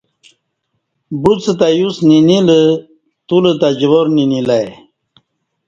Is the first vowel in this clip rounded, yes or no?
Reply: yes